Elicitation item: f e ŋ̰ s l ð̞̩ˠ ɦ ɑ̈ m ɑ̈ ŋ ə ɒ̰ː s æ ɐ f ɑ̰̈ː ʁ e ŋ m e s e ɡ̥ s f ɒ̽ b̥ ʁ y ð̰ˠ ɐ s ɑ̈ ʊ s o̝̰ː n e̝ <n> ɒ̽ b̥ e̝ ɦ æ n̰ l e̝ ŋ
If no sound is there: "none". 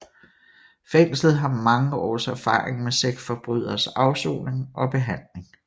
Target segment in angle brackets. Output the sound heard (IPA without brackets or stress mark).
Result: ŋ